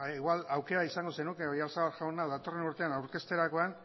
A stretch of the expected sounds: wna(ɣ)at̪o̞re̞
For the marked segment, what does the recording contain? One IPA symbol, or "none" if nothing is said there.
ð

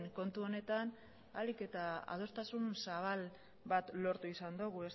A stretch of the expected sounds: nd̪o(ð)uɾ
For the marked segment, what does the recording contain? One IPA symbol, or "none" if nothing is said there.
ɣ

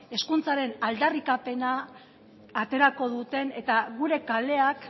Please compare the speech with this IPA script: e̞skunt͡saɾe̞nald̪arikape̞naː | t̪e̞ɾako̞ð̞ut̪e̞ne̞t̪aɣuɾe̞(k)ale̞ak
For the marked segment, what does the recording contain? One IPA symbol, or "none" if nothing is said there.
k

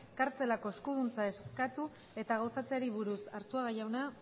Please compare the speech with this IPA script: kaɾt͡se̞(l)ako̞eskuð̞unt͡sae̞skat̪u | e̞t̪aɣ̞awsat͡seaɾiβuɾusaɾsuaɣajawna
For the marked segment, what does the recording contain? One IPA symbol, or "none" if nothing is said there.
l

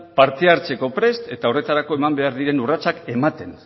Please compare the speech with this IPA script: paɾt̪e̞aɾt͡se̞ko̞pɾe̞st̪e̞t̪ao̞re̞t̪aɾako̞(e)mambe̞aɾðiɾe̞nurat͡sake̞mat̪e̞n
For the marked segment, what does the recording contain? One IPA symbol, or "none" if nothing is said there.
e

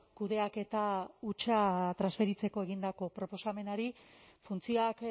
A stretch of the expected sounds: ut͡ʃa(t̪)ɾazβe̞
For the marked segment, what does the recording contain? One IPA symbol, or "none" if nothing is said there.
t̪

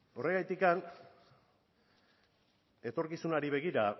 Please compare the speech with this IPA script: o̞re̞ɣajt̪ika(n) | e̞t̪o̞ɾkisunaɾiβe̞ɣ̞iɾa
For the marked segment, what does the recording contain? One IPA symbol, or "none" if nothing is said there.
n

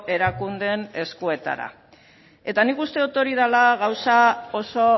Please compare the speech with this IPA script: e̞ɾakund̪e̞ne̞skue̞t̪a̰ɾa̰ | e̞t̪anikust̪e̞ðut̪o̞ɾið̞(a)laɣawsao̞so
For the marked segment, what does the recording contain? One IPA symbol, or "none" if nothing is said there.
a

